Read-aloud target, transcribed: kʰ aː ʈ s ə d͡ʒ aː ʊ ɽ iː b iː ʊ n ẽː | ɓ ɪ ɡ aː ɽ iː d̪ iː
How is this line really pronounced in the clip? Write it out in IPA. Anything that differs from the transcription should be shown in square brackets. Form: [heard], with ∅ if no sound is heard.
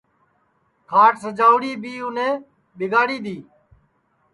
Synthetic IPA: kʰ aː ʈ s ə d͡ʒ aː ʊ ɽ iː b iː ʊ n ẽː | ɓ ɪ ɡ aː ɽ iː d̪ iː

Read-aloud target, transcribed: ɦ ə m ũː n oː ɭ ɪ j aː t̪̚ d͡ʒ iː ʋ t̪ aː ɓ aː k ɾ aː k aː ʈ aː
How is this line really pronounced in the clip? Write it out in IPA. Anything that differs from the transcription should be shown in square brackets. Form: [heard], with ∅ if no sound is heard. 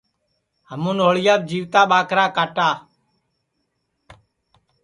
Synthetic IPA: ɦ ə m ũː n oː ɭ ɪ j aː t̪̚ d͡ʒ iː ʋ t̪ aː ɓ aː k ɾ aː k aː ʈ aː

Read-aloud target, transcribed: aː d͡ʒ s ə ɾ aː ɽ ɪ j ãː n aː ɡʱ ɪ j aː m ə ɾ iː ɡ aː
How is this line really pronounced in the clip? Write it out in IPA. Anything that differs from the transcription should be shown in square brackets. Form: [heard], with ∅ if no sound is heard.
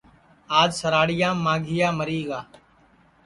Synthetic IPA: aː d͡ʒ s ə ɾ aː ɽ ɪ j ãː [m] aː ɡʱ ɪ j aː m ə ɾ iː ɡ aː

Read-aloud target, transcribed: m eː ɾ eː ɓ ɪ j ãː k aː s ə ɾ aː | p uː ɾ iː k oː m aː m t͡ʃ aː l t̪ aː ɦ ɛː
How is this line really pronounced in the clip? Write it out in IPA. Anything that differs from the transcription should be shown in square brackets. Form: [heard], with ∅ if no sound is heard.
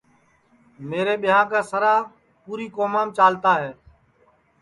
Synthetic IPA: m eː ɾ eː ɓ ɪ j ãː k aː s ə ɾ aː | p uː ɾ iː k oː m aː m t͡ʃ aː l t̪ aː ɦ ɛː

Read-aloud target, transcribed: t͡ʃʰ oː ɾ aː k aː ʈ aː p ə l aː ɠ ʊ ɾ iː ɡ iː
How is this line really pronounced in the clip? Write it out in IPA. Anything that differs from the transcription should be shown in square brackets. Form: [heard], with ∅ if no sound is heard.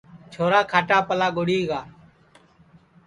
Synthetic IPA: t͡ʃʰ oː ɾ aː [kʰ] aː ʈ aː p ə l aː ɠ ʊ [ɽ] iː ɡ [aː]

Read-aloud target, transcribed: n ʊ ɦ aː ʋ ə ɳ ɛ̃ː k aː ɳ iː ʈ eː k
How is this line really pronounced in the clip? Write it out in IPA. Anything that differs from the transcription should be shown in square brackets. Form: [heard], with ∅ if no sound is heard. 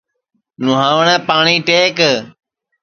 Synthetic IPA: n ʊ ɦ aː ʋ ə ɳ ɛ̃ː [p] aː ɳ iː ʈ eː k

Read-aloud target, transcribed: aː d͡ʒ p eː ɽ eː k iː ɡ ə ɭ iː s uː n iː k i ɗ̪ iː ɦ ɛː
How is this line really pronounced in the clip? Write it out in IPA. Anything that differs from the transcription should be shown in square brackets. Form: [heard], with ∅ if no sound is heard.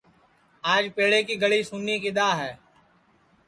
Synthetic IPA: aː d͡ʒ p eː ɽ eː k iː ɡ ə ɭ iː s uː n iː k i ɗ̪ [aː] ɦ ɛː

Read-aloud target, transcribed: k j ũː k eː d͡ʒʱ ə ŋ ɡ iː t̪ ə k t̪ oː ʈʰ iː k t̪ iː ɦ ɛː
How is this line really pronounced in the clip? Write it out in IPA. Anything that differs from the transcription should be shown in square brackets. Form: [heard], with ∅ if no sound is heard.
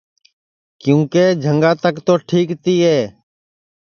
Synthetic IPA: k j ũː k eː d͡ʒʱ ə ŋ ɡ [aː] t̪ ə k t̪ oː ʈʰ iː k t̪ iː ɦ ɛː

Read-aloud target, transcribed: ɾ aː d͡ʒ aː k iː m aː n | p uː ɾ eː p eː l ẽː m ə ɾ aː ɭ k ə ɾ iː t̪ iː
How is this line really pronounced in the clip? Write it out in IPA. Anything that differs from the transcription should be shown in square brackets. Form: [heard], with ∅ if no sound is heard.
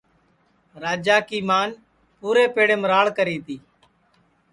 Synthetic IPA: ɾ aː d͡ʒ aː k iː m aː n | p uː ɾ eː p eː [ɽ] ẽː m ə ɾ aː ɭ k ə ɾ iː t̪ iː

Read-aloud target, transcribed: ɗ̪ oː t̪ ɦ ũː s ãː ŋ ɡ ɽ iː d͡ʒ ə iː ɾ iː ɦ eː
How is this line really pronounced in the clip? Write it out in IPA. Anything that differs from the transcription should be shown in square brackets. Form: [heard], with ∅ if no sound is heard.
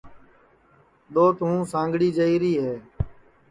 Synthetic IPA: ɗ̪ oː t̪ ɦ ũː s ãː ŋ ɡ ɽ iː d͡ʒ ə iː ɾ iː ɦ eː

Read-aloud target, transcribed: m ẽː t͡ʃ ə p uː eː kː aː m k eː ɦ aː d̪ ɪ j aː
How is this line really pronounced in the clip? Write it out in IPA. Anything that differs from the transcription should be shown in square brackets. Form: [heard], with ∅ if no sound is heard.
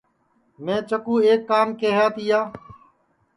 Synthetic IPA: m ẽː t͡ʃ ə [k] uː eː kː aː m k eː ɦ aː [t̪] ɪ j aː

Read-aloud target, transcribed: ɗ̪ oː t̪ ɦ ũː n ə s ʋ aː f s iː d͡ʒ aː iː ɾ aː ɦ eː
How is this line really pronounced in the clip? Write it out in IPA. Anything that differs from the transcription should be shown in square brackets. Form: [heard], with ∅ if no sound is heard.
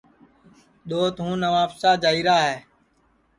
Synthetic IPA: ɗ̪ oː t̪ ɦ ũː n ə [∅] ʋ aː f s [aː] d͡ʒ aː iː ɾ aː ɦ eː

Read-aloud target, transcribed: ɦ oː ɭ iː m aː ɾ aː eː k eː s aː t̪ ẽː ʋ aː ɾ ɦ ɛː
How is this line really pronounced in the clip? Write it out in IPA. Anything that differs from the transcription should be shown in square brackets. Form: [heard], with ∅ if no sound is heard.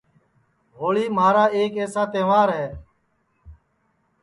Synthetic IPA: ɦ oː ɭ iː m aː ɾ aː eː k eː s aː t̪ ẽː ʋ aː ɾ ɦ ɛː

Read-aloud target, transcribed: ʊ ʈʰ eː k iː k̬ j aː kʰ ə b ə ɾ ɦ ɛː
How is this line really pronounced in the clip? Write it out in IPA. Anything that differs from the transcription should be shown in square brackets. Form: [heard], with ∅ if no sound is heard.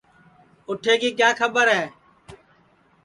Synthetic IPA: ʊ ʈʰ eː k iː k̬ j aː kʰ ə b ə ɾ ɦ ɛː

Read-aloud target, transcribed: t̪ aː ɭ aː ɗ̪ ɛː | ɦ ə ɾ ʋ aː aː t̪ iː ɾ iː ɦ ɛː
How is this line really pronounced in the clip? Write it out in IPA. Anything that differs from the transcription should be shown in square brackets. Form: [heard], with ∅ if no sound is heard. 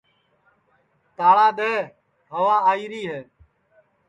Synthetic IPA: t̪ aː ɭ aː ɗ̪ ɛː | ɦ ə [∅] ʋ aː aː [∅] iː ɾ iː ɦ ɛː

